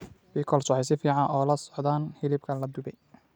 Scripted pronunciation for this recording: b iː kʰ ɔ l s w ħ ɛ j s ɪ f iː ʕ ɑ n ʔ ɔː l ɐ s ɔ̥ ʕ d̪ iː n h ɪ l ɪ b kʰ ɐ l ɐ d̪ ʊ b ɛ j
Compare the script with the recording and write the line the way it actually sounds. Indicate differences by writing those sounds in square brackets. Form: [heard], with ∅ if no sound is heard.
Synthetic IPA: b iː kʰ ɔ l s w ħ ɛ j s ɪ f iː ʕ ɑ n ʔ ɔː l ɐ s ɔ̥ ʕ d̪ [aː] n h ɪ l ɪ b kʰ ɐ l ɐ d̪ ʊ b ɛ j